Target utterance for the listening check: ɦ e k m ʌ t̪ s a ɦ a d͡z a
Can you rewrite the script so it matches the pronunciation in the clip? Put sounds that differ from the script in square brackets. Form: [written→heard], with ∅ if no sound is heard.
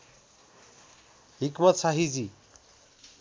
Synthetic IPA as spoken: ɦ [e→i] k m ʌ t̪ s a ɦ [a→i] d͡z [a→i]